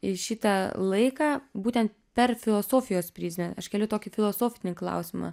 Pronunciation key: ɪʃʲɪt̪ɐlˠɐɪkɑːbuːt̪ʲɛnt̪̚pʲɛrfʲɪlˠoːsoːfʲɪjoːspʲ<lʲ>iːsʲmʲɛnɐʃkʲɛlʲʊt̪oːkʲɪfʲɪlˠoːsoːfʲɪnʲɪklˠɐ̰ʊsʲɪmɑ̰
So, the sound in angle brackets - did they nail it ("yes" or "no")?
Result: no